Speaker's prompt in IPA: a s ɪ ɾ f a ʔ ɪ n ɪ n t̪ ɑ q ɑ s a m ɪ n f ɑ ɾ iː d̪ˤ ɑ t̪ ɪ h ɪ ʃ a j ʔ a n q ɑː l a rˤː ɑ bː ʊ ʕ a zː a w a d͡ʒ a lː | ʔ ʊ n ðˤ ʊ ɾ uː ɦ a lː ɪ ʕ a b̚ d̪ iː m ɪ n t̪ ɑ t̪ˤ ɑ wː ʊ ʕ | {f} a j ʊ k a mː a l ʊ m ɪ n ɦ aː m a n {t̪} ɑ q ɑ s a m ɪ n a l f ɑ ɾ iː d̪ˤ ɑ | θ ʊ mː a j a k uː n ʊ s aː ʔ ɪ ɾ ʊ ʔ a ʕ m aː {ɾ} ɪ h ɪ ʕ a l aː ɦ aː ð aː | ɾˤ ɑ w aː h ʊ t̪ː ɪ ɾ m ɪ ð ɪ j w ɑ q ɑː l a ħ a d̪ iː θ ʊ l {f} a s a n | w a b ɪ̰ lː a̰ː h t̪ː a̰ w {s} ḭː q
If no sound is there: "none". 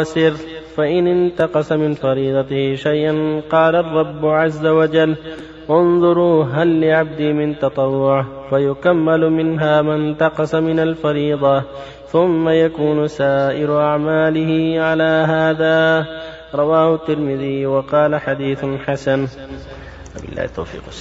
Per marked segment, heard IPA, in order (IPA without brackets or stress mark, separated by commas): f, t̪, l, ħ, f